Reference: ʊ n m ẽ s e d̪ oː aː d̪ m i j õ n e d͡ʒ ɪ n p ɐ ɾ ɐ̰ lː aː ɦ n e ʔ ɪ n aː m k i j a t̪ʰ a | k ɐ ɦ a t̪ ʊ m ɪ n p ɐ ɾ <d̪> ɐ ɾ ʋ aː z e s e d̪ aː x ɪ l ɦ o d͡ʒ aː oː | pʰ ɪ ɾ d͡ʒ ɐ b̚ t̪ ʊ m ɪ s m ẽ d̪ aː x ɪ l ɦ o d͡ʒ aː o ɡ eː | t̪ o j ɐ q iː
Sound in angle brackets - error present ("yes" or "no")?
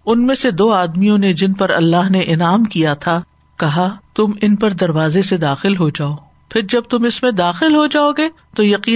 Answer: no